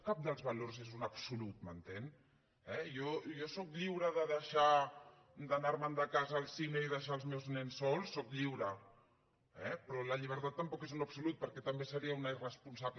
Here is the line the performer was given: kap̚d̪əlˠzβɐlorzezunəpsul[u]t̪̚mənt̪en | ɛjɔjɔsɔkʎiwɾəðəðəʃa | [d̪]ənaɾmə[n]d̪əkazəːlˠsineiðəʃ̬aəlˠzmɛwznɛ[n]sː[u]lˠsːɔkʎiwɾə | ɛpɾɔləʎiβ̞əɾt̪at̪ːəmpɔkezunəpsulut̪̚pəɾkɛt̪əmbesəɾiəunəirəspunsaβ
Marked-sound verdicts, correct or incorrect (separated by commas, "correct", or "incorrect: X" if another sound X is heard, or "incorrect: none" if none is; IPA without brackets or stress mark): correct, correct, correct, correct, incorrect: ɔ